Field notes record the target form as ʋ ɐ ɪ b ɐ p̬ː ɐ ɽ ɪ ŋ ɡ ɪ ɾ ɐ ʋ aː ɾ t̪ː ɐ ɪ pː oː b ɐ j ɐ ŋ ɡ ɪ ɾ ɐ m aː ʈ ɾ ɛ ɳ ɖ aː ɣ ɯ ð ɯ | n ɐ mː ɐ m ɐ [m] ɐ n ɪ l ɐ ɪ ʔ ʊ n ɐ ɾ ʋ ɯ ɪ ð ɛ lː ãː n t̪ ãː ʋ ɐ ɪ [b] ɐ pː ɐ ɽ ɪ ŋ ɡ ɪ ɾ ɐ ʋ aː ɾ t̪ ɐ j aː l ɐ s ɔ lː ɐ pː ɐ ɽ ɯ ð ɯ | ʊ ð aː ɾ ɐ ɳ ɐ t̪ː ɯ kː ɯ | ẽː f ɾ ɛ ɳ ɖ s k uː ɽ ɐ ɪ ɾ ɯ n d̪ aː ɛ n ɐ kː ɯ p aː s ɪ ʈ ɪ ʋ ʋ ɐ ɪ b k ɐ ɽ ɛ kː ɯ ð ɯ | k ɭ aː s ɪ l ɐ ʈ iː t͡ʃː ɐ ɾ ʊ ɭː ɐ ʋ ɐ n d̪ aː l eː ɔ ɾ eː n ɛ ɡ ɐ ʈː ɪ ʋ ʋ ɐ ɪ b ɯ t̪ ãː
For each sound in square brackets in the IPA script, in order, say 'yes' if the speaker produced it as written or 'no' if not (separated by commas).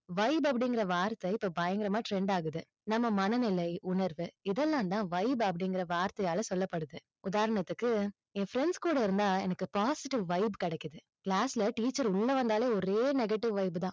no, yes